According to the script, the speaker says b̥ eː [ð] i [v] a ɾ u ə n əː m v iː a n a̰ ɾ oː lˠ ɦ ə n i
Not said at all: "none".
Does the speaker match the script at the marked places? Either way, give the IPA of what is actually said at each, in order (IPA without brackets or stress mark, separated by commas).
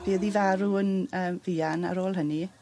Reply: ð, v